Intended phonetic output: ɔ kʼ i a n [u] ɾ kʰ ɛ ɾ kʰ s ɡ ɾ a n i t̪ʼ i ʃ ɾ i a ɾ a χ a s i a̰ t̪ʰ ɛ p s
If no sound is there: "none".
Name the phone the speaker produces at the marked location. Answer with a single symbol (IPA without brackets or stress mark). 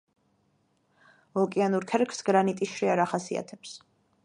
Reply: u